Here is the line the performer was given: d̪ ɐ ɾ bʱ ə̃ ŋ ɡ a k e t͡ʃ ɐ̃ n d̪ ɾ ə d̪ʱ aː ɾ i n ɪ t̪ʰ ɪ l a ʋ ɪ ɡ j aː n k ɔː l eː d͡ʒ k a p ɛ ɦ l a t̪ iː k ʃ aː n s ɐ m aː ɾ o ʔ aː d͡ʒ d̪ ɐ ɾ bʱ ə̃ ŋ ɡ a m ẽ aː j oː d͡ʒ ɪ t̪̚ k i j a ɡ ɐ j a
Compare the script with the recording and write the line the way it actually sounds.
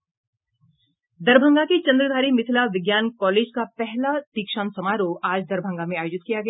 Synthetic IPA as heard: d̪ ɐ ɾ bʱ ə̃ ŋ ɡ a k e t͡ʃ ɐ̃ n d̪ ɾ ə d̪ʱ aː ɾ i m ɪ t̪ʰ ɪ l a ʋ ɪ ɡ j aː n k ɔː l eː d͡ʒ k a p ɛ ɦ l a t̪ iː k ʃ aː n s ɐ m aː ɾ o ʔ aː d͡ʒ d̪ ɐ ɾ bʱ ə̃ ŋ ɡ a m ẽ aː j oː d͡ʒ ɪ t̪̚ k i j a ɡ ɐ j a